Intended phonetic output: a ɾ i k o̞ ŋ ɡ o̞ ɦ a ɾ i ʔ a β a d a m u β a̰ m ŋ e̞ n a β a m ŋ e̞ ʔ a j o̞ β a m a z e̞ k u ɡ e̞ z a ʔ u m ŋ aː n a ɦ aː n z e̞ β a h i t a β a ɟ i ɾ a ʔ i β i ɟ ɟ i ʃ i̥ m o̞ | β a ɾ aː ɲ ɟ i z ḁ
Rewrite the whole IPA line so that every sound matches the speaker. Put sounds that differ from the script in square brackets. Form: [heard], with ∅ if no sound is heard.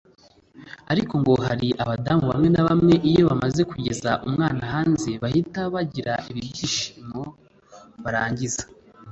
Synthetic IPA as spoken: a ɾ i k o̞ ŋ ɡ o̞ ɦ a ɾ i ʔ a β a d a m u β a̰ m ŋ e̞ n a β a m ŋ e̞ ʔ [i] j o̞ β a m a z e̞ k u [ɟ] e̞ z a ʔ u m ŋ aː n a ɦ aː n z e̞ β a h i t a β a ɟ i ɾ a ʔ i β i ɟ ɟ i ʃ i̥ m o̞ | β a ɾ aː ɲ ɟ i z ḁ

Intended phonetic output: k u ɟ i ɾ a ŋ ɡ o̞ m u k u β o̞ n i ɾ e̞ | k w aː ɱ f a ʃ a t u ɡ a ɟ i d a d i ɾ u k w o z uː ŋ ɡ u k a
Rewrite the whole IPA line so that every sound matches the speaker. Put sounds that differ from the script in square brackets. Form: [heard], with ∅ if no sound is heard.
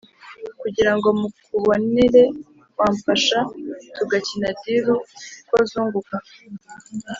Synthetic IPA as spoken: k u ɟ i ɾ a ŋ ɡ o̞ m u k u β o̞ n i ɾ e̞ | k w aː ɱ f a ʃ a t u ɡ a [c] i [n] a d i ɾ u k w o z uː ŋ ɡ u k a

